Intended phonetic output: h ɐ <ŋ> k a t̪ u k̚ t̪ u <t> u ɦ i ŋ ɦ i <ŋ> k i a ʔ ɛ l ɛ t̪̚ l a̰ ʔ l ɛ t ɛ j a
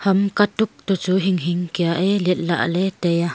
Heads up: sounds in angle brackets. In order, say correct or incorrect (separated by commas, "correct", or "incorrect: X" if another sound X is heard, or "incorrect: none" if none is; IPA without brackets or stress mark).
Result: incorrect: m, incorrect: t͡s, correct